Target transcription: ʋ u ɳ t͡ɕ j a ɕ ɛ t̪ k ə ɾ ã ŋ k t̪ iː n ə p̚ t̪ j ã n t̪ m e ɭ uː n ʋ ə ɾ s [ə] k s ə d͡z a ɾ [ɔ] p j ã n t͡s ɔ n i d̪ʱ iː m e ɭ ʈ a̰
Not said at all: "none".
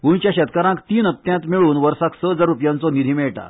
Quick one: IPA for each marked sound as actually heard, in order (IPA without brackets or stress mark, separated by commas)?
a, u